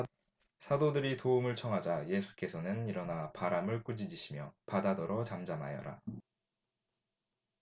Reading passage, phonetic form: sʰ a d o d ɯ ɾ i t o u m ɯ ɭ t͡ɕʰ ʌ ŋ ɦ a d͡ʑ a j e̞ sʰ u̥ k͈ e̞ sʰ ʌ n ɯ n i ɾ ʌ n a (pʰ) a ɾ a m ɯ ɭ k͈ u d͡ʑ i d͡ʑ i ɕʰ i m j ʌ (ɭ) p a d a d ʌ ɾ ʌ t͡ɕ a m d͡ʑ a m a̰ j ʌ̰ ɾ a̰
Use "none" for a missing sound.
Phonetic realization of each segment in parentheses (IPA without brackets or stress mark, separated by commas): p, none